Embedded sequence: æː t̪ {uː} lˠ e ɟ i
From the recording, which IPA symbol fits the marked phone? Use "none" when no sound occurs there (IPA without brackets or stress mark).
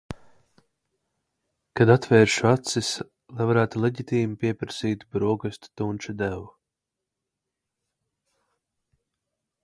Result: u